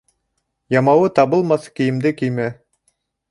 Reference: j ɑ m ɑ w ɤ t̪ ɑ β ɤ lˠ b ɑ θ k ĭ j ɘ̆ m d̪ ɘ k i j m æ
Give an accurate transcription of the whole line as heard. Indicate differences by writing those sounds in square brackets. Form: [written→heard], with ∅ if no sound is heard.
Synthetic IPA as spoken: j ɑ m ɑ w ɤ t̪ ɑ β ɤ lˠ [b→m] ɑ θ k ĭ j ɘ̆ m d̪ ɘ k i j m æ